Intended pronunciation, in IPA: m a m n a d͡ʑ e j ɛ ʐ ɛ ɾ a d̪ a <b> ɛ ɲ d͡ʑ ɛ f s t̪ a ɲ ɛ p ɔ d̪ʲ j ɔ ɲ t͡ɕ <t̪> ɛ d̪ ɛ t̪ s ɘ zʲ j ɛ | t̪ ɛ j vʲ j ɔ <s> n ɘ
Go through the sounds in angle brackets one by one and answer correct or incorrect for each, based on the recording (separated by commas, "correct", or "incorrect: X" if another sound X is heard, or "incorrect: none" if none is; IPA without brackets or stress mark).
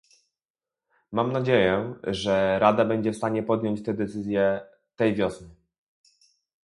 correct, correct, correct